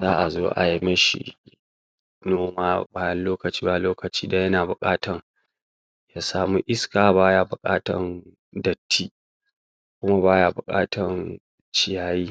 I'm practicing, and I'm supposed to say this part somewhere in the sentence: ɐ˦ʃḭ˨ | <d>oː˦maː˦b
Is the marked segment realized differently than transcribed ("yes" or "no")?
yes